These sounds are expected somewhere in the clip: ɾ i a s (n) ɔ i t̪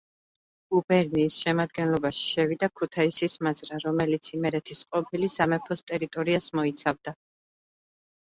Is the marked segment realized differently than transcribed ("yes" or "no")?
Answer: yes